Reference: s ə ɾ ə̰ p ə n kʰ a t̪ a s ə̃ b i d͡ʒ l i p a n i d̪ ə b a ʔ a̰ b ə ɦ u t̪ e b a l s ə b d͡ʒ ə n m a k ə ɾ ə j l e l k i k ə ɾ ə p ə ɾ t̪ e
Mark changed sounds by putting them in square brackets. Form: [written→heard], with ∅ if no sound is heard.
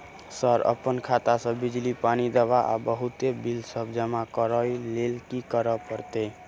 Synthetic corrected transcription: s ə ɾ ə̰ p ə n kʰ a t̪ a s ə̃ b i d͡ʒ l i p a n i d̪ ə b a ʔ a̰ b ə ɦ u t̪ e b [a→i] l s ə b d͡ʒ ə [n→∅] m a k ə ɾ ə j l e l k i k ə ɾ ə p ə ɾ t̪ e

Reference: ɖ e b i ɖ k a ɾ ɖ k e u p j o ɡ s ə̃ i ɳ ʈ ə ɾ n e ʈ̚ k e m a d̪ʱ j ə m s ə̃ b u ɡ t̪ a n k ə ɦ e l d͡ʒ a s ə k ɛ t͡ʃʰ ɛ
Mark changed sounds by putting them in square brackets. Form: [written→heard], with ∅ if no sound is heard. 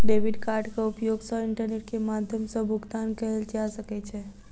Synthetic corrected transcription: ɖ e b i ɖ k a ɾ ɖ k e u p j o ɡ s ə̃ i ɳ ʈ ə ɾ n e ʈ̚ k e m a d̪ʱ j ə m s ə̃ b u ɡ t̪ a n k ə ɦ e l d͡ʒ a s ə k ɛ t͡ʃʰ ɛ

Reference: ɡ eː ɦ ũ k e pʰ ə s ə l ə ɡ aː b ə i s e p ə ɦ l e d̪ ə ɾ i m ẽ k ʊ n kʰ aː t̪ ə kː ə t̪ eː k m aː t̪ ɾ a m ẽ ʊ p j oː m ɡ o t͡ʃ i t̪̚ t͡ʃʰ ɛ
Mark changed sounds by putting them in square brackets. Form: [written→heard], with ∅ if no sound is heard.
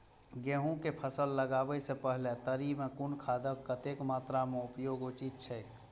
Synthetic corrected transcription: ɡ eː ɦ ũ k e pʰ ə s ə [l→lː] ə ɡ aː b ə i s e p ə ɦ l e [d̪→t̪] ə ɾ i m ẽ k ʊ n kʰ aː [t̪→d̪] ə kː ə t̪ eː k m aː t̪ ɾ a m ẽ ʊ p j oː [m→∅] ɡ o t͡ʃ i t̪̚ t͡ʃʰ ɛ

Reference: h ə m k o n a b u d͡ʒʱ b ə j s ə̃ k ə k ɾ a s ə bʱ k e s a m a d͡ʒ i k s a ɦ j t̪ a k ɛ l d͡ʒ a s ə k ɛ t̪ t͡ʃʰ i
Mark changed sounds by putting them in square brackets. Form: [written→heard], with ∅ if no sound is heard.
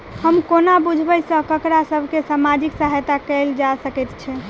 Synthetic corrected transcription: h ə m k o n a b u d͡ʒʱ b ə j s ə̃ k ə k ɾ a s ə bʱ k e s a m a d͡ʒ i k s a ɦ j t̪ a k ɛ l d͡ʒ a s ə k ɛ t̪ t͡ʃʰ [i→ɛ]

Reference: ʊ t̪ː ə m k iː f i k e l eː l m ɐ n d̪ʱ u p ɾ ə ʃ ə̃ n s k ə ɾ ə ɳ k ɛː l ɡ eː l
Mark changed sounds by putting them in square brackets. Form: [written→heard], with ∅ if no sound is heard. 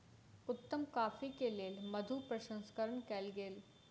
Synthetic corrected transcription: ʊ t̪ː ə m k [iː→aː] f i k e l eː l m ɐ [n→∅] d̪ʱ u p ɾ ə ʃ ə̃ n s k ə ɾ ə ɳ k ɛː l ɡ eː l

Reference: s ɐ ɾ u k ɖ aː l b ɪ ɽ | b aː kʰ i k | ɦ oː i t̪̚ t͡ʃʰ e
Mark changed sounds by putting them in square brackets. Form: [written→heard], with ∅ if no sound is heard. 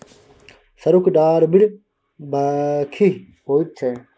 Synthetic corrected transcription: s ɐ ɾ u k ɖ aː [l→ɾ] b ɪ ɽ | b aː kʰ i [k→∅] | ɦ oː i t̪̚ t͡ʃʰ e

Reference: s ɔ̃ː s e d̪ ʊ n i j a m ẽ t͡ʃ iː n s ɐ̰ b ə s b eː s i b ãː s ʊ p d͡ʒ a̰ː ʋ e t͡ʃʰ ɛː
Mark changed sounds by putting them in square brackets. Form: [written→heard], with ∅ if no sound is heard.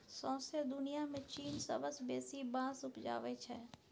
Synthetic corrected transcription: s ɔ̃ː s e d̪ ʊ n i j a m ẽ t͡ʃ iː n s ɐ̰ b ə s b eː s i b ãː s ʊ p d͡ʒ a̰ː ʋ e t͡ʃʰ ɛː

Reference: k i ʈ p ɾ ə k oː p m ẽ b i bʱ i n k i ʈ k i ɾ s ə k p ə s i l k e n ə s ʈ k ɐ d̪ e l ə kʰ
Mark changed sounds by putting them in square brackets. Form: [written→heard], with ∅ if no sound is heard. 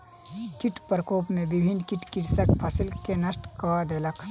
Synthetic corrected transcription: k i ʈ p ɾ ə k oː p m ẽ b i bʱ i n k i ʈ k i ɾ s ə k [p→pʰ] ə s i l k e n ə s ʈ k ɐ d̪ e l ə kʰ

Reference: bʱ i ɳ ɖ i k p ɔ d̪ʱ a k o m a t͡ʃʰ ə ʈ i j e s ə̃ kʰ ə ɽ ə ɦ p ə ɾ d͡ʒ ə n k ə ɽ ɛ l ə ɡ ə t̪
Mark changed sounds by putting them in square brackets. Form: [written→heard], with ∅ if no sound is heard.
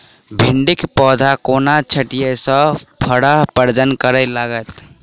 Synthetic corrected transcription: bʱ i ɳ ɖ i k p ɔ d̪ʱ a k o [m→n] a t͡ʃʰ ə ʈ i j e s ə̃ [kʰ→pʰ] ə ɽ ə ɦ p ə ɾ d͡ʒ ə n k ə [ɽ→ɾ] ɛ l [ə→a] ɡ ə t̪

